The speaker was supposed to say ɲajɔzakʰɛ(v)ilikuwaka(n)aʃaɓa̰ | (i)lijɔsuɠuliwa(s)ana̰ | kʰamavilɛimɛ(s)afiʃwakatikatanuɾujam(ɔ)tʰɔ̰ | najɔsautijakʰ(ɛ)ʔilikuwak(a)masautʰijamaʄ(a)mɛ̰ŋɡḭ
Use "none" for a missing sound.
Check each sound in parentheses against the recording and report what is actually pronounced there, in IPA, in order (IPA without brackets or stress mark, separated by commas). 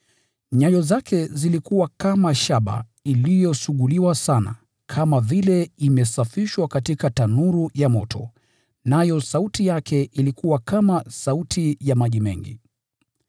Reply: z, m, i, s, s, ɔ, ɛ, a, i